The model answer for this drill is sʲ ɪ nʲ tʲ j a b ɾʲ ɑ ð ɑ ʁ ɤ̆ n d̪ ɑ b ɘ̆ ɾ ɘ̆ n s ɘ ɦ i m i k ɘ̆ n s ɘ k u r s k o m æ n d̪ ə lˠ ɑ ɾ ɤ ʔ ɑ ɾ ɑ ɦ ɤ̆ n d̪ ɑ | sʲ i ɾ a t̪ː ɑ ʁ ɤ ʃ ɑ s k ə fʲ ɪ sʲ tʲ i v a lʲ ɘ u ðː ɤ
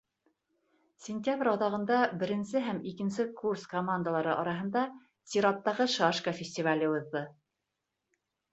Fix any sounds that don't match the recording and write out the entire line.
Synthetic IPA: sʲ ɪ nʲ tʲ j a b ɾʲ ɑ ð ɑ ʁ ɤ̆ n d̪ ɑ b ɘ̆ ɾ ɘ̆ n s ɘ ɦ æ m i k ɘ̆ n s ɘ k u r s k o m a n d̪ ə lˠ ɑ ɾ ɤ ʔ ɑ ɾ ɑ ɦ ɤ̆ n d̪ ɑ | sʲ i ɾ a t̪ː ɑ ʁ ɤ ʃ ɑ ʃ k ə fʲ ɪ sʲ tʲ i v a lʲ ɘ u ðː ɤ